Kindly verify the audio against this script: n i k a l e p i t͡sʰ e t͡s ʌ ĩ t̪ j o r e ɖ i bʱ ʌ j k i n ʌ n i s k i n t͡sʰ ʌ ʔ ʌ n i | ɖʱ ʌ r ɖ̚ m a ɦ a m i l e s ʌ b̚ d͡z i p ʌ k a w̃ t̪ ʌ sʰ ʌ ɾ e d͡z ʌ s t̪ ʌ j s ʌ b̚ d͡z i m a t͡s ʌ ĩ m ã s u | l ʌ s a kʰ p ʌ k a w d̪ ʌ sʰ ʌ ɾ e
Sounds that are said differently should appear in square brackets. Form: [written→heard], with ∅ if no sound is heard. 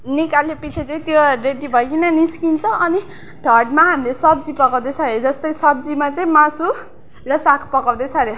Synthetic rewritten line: n i k a l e p i t͡sʰ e t͡s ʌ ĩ t̪ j o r e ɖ i bʱ ʌ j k i n ʌ n i s k i n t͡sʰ ʌ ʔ ʌ n i | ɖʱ ʌ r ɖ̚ m a ɦ a m i l e s ʌ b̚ d͡z i p ʌ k a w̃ [t̪→d̪] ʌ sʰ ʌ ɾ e d͡z ʌ s t̪ ʌ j s ʌ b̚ d͡z i m a t͡s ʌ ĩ m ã s u | [l→r] ʌ s a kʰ p ʌ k a w d̪ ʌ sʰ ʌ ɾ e